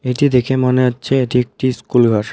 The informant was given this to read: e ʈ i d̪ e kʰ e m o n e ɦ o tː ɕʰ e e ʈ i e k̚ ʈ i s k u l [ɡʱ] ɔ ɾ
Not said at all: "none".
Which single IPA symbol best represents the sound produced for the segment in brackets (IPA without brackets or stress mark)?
ɡʱ